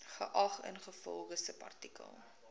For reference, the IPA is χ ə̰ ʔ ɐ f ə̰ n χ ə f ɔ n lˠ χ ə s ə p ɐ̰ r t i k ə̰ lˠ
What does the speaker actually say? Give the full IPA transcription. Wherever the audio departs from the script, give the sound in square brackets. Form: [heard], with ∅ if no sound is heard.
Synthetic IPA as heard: χ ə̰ ʔ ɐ [χ] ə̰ n χ ə f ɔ [∅] lˠ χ ə s ə p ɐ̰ r t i k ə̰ lˠ